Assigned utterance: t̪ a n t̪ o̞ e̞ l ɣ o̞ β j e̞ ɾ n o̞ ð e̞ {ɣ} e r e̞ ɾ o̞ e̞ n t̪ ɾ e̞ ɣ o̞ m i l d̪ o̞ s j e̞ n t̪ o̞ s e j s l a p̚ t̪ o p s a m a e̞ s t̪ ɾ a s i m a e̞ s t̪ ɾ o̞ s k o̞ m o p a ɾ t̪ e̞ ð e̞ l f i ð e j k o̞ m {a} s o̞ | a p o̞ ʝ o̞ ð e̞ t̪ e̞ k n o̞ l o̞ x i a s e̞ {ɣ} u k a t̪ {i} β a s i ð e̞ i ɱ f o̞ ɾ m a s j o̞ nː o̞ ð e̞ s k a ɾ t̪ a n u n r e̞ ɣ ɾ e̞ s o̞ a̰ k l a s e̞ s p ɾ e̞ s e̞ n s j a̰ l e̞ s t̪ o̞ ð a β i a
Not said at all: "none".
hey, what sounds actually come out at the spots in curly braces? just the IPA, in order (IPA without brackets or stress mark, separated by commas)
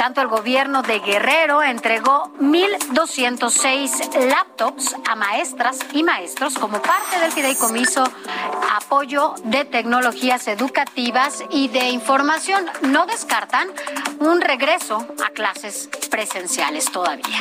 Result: ɣ, i, ð, i